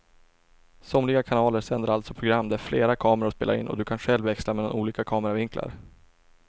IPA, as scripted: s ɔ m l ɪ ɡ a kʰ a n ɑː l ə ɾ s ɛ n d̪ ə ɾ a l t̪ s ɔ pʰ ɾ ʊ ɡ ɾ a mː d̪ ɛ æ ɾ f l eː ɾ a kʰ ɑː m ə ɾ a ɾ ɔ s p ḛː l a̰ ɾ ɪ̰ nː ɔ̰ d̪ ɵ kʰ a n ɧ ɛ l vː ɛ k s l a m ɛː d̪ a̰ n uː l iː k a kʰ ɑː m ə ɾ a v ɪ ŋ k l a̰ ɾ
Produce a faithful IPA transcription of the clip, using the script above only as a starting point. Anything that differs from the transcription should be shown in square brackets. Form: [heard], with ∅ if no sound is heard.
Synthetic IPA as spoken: s ɔ m l ɪ ɡ a kʰ a n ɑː l ə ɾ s ɛ n d̪ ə ɾ a l t̪ s ɔ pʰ ɾ ʊ ɡ ɾ a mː d̪ ɛ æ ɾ f l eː ɾ a kʰ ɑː m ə ɾ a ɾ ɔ s p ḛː l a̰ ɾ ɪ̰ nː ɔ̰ d̪ ɵ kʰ a n ɧ ɛ l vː ɛ k s l a m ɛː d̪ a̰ n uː l iː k a kʰ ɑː m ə ɾ a v ɪ ŋ k l a̰ ɾ